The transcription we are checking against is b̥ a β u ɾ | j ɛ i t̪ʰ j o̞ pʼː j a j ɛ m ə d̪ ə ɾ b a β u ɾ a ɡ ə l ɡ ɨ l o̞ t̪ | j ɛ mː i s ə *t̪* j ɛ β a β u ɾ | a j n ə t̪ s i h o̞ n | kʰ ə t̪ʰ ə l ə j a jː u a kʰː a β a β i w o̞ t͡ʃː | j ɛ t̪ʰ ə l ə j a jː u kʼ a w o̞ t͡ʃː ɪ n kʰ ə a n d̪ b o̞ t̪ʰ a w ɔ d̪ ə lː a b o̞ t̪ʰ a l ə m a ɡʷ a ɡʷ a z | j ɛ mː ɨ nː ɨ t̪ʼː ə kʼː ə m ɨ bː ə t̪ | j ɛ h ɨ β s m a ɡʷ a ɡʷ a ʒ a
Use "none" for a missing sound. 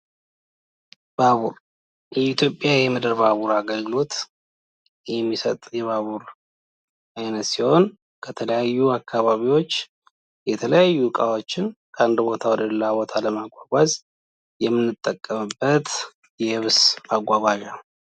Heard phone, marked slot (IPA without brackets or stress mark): t̪ʼ